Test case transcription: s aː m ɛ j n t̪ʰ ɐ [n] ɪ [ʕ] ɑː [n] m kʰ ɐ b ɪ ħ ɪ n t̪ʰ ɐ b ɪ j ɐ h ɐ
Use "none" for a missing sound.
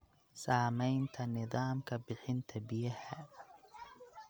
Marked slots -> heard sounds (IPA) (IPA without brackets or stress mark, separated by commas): n, ð, none